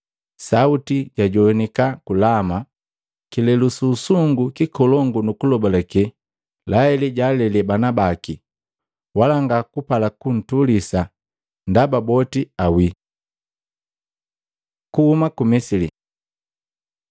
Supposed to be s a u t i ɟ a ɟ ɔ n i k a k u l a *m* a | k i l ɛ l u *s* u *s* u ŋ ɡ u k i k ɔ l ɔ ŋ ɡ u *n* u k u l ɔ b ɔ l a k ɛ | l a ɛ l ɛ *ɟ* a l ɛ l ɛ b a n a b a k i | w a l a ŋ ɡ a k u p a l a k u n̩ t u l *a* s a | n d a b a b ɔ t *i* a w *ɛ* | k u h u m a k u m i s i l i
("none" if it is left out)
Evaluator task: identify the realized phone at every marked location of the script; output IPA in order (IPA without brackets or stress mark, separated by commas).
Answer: m, s, s, n, ɟ, i, i, i